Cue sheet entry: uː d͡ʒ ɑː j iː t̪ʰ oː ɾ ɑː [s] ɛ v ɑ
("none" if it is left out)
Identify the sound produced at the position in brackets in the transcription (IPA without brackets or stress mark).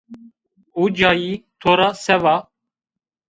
s